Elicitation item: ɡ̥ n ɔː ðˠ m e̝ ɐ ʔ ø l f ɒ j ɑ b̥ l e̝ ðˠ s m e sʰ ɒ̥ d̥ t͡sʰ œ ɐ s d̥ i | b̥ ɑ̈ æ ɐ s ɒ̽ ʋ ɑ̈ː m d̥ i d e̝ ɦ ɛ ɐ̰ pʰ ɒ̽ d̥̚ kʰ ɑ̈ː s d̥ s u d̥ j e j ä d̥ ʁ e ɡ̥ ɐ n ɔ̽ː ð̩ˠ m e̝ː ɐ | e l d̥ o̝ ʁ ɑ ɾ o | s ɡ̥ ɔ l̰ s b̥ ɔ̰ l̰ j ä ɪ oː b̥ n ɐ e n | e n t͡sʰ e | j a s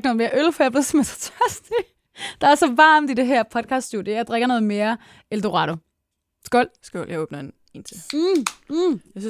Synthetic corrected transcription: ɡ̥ n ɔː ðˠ m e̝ ɐ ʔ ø l f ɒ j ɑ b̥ l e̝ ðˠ s m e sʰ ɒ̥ t͡sʰ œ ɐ s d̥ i | d̥ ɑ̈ æ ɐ s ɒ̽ ʋ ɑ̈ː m d̥ i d e̝ ɦ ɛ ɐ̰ pʰ ɒ̽ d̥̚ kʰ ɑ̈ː s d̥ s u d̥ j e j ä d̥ ʁ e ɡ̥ ɐ n ɔ̽ː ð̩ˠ m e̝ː ɐ | e l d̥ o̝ ʁ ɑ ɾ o | s ɡ̥ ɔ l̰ s ɡ̥ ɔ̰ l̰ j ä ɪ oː b̥ n ɐ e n | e n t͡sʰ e | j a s